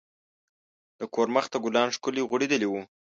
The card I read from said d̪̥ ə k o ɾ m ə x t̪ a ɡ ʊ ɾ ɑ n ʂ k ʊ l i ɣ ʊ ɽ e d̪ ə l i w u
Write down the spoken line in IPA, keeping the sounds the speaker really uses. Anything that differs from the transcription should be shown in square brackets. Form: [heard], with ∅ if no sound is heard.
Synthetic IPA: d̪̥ ə k o ɾ m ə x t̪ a ɡ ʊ [l] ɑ n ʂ k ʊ l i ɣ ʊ ɽ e d̪ ə l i w u